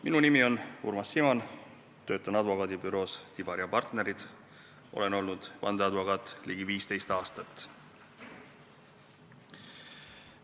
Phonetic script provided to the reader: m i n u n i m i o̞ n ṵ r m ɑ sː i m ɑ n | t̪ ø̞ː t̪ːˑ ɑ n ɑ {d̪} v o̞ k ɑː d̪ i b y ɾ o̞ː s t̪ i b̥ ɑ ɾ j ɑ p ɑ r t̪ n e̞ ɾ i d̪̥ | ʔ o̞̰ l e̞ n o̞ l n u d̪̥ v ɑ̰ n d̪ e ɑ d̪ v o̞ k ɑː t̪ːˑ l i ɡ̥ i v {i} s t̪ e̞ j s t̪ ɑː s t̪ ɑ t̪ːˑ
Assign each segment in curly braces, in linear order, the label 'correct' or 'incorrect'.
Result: correct, incorrect: iː

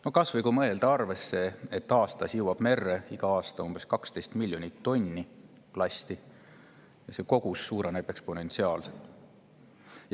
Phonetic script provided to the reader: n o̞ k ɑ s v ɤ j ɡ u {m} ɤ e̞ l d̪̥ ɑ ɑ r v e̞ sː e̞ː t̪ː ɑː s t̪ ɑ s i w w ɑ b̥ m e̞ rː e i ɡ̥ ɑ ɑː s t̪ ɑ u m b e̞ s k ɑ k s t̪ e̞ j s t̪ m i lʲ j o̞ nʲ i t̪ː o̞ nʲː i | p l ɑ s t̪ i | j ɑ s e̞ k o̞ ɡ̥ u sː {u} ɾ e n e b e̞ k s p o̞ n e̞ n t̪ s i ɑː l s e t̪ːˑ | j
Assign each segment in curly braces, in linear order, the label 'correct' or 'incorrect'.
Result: correct, incorrect: uː

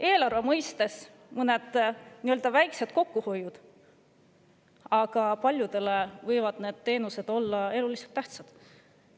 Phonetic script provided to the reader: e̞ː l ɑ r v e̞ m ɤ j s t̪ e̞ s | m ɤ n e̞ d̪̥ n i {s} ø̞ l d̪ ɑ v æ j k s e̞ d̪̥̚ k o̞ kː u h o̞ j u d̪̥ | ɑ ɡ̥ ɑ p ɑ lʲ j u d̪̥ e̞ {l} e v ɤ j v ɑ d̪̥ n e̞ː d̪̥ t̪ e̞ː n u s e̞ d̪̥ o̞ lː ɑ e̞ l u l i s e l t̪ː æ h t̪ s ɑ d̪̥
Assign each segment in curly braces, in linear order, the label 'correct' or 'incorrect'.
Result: incorrect: none, correct

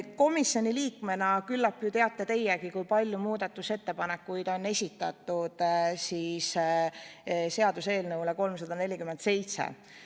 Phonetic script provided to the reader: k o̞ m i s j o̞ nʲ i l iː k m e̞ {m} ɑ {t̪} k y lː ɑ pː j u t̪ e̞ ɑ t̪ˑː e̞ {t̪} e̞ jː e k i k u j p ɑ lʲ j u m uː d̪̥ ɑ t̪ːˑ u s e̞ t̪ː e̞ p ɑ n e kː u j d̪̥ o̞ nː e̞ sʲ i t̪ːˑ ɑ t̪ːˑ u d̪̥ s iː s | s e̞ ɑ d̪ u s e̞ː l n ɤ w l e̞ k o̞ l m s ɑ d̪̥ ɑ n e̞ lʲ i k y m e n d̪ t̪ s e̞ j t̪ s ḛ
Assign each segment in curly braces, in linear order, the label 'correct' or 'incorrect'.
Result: incorrect: n, incorrect: none, correct

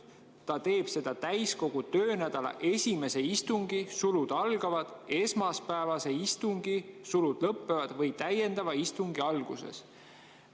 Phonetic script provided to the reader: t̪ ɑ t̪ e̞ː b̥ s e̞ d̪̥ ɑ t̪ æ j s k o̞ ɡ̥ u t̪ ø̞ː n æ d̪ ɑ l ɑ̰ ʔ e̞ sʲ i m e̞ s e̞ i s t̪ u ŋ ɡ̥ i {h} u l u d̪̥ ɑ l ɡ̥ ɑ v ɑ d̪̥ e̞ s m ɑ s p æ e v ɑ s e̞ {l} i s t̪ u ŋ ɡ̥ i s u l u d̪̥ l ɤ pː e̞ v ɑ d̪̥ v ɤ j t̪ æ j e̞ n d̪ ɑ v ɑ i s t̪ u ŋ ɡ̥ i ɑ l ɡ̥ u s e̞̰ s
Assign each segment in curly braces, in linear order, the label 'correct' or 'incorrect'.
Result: incorrect: s, incorrect: none

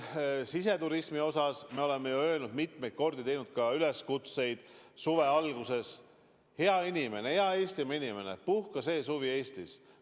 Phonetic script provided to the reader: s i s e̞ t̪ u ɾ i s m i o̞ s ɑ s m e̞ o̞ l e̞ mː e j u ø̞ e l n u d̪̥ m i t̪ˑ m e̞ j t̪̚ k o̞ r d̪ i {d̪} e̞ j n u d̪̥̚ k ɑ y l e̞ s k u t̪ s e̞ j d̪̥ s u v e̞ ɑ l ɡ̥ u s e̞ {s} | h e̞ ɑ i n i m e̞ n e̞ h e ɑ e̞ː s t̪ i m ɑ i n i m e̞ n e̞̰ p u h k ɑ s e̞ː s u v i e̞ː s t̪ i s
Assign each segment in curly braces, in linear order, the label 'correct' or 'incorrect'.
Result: incorrect: t̪, correct

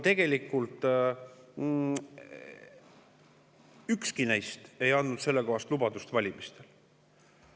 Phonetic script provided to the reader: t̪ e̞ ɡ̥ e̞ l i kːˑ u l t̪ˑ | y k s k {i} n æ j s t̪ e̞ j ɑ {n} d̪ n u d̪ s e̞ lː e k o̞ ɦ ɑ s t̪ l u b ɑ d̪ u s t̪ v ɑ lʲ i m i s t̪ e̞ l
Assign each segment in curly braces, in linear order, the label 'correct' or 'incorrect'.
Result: correct, correct

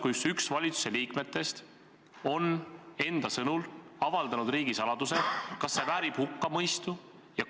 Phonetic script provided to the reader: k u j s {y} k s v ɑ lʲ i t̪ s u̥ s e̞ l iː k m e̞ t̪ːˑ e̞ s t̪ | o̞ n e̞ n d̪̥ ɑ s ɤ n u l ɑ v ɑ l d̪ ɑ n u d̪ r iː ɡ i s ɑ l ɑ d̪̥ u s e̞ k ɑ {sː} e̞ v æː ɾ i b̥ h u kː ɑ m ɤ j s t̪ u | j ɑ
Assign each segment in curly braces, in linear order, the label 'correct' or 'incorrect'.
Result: correct, correct

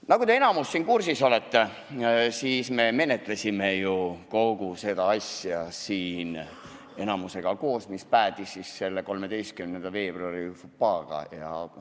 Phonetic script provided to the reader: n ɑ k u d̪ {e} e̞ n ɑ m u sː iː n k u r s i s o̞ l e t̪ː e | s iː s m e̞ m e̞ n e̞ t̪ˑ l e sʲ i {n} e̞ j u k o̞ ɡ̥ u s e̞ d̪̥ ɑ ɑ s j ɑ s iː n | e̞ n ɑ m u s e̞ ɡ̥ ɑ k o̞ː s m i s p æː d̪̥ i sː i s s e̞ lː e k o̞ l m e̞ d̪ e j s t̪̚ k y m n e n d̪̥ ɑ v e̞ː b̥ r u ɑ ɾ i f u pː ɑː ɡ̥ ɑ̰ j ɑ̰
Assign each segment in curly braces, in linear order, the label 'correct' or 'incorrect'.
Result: correct, incorrect: m

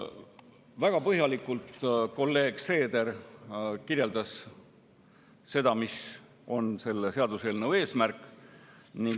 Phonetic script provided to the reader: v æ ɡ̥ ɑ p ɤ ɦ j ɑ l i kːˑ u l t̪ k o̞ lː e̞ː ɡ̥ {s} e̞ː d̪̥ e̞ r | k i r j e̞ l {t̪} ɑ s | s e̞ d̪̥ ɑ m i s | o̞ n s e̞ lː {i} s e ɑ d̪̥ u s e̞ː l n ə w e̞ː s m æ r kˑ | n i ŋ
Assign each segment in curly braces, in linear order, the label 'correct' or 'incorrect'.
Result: correct, incorrect: d̪, incorrect: e

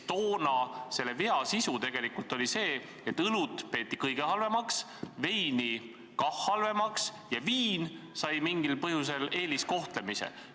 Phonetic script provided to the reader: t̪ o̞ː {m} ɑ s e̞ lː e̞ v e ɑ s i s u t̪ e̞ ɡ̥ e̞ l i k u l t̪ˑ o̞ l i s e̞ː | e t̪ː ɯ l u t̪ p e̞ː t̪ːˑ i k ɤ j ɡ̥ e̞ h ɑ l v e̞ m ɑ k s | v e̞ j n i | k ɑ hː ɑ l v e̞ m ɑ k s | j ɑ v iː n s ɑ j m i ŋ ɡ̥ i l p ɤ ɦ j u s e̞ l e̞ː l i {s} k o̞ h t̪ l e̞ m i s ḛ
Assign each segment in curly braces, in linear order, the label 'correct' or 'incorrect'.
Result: incorrect: n, correct

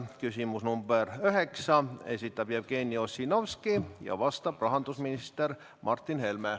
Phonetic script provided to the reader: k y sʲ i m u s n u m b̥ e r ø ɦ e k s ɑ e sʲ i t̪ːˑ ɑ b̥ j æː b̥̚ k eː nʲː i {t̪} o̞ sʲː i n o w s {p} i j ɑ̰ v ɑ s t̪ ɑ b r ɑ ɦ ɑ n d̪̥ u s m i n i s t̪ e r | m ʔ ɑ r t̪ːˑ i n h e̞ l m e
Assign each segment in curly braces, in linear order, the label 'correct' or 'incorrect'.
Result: incorrect: none, incorrect: k

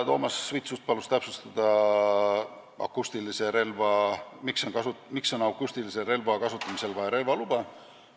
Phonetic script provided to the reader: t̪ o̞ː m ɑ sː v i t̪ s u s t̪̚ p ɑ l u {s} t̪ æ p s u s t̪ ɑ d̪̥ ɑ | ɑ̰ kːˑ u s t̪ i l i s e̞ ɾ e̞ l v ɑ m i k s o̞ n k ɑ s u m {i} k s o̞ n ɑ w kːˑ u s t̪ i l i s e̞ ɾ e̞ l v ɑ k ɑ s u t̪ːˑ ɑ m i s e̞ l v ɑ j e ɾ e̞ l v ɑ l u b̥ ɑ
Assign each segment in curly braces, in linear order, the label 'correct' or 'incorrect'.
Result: correct, correct

